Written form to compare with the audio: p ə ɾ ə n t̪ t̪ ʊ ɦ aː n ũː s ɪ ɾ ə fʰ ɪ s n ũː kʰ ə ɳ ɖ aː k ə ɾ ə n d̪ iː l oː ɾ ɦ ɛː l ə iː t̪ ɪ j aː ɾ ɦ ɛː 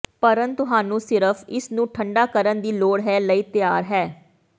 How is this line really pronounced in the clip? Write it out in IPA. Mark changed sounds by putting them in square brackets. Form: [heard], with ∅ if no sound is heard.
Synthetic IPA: p ə ɾ ə n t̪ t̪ ʊ ɦ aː n ũː s ɪ ɾ ə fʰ ɪ s n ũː [ʈʰ] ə ɳ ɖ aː k ə ɾ ə n d̪ iː l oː [ɽ] ɦ ɛː l ə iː t̪ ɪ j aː ɾ ɦ ɛː